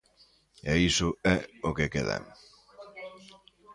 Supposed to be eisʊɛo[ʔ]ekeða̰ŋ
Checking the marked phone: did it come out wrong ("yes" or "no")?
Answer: yes